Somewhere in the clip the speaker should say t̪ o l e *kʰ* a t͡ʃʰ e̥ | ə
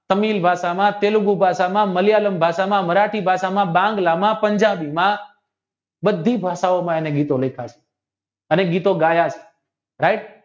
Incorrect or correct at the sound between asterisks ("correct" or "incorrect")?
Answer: correct